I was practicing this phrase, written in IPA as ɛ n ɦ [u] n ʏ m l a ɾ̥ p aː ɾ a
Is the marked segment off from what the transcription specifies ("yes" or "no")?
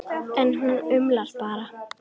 no